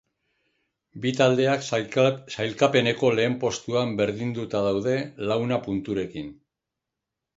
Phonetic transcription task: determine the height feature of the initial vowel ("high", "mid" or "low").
high